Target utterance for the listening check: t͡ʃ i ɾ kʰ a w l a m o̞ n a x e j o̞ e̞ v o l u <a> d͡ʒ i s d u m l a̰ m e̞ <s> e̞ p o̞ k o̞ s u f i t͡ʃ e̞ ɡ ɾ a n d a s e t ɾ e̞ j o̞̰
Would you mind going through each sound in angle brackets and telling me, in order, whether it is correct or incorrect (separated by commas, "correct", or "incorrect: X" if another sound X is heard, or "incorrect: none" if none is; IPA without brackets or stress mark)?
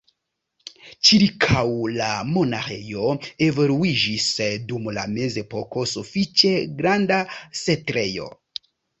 incorrect: i, incorrect: z